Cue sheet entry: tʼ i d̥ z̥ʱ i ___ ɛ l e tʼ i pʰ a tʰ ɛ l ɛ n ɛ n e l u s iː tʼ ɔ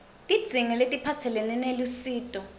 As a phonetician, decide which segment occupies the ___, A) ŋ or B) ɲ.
A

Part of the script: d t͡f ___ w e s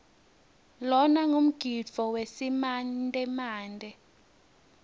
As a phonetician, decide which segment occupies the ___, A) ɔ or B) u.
A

